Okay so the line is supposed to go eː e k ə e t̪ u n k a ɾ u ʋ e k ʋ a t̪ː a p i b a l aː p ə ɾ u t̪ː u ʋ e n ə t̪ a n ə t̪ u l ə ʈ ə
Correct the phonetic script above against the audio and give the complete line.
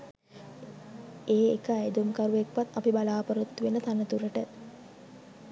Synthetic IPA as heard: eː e k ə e d̪ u m k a ɾ u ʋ e k ʋ a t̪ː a p i b a l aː p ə ɾ u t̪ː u ʋ e n ə t̪ a n ə t̪ u ɾ ə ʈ ə